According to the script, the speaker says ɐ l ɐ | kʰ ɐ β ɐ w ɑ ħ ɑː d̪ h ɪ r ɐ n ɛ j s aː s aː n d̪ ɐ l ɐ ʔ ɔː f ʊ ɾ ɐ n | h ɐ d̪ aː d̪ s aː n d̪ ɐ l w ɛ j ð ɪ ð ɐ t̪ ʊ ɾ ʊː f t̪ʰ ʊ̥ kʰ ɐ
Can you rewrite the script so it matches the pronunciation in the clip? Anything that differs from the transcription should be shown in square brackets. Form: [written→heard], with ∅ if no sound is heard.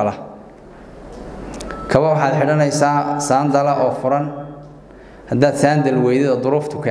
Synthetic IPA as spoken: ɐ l ɐ | kʰ ɐ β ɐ w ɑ ħ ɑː d̪ [h→ħ] ɪ [r→ɽ] ɐ n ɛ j s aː s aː n d̪ ɐ l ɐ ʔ ɔː f ʊ ɾ ɐ n | h ɐ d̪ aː d̪ s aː n d̪ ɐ l w ɛ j ð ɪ ð ɐ [t̪→d̪] ʊ ɾ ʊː f t̪ʰ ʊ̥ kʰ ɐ